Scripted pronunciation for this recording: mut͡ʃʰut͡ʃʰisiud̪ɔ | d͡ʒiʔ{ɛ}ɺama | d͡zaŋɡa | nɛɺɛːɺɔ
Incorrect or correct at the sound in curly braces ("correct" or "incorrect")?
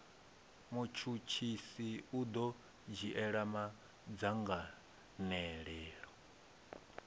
correct